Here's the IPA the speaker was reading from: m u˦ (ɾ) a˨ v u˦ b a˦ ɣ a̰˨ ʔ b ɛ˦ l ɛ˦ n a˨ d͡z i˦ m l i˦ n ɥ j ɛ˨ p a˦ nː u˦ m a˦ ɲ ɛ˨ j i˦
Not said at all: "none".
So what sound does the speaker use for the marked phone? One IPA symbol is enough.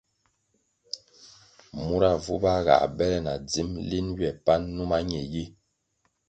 ɾ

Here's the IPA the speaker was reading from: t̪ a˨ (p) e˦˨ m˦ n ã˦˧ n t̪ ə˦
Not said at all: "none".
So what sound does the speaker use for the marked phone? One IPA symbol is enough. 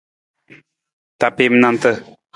p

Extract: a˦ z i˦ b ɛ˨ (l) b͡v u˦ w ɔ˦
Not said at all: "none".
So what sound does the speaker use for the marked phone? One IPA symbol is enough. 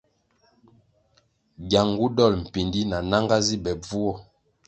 none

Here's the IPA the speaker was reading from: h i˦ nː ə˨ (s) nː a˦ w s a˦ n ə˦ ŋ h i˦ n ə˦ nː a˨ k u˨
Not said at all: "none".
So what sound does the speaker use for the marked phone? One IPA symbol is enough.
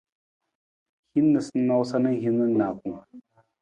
s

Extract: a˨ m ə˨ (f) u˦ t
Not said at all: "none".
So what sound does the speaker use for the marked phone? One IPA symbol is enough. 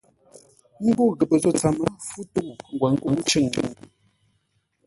f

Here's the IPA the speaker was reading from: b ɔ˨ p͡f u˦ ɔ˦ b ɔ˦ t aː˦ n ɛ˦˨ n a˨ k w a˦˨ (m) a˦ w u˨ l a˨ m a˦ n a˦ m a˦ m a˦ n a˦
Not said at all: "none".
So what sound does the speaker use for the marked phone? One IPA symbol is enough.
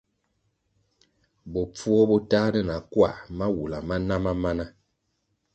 m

